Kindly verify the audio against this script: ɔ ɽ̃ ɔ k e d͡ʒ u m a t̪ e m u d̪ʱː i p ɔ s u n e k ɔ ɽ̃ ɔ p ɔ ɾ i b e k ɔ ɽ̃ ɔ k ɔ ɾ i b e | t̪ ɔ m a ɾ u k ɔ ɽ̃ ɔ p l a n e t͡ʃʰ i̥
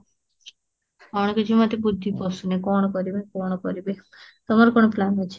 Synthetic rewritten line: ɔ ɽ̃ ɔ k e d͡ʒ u m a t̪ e b u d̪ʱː i p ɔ s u n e k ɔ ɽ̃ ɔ k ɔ ɾ i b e k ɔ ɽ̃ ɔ k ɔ ɾ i b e | t̪ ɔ m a ɾ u k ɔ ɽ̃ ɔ p l a n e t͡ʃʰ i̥